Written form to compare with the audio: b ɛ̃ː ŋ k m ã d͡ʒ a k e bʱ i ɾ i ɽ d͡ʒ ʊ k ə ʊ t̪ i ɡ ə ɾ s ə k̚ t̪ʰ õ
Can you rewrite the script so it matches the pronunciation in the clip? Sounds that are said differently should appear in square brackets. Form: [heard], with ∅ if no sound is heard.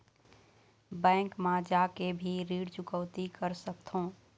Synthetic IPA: b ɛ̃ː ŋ k m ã d͡ʒ a k e bʱ i ɾ i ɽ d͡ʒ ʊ k ə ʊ t̪ i [k] ə ɾ s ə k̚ t̪ʰ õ